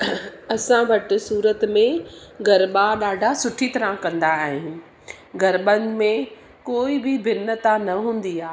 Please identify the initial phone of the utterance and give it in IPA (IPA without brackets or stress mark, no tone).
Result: ɐ